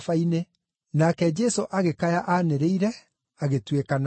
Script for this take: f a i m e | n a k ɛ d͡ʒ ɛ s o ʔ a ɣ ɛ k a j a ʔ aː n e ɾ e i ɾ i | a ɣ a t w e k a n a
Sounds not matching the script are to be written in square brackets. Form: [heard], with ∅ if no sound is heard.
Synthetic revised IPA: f a i [n] e | n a k ɛ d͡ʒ ɛ s o ʔ a ɣ [e] k a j a ʔ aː n e ɾ e i ɾ [ɛ] | a ɣ [e] t w e k a n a